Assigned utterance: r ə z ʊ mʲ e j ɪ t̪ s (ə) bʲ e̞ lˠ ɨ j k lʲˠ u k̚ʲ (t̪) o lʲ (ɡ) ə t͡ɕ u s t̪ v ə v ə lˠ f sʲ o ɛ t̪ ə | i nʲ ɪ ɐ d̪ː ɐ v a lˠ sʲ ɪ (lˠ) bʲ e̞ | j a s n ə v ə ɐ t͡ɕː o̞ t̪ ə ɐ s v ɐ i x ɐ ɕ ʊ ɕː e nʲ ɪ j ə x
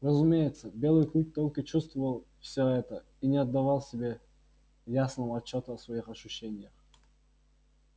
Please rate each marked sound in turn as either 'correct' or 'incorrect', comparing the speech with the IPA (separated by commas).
correct, correct, incorrect, incorrect